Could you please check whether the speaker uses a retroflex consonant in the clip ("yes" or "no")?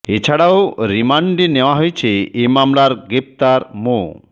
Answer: yes